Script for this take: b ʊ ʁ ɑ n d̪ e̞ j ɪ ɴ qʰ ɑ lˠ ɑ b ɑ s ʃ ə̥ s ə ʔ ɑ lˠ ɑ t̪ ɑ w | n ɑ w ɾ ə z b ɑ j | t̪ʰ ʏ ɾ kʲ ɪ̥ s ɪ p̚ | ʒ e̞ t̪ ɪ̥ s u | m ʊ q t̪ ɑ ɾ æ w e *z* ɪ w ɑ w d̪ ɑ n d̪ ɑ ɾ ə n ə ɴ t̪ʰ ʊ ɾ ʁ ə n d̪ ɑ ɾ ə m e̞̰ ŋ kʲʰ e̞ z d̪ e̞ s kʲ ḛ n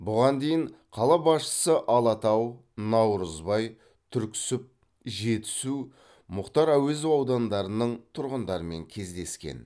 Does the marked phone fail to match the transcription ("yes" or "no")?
no